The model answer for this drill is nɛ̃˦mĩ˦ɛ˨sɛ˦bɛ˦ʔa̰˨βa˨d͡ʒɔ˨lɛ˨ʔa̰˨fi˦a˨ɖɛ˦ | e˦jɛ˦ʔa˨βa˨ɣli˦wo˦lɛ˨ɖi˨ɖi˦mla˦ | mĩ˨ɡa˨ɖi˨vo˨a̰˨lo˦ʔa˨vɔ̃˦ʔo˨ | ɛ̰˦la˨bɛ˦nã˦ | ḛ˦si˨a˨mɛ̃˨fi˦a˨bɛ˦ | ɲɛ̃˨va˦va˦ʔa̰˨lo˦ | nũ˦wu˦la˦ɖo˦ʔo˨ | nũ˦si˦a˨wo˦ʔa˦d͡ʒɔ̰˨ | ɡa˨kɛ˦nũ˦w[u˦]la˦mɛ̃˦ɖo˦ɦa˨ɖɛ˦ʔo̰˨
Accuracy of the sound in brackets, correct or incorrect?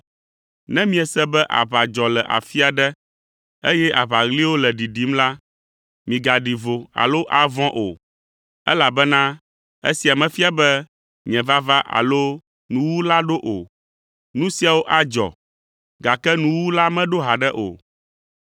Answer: correct